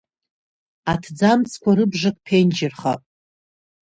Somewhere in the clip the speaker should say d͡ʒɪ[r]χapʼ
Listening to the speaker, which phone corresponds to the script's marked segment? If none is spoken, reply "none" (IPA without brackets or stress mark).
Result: r